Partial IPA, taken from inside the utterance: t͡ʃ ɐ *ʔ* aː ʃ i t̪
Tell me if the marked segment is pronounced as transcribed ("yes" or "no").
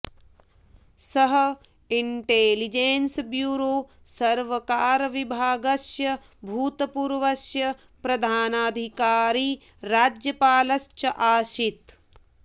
yes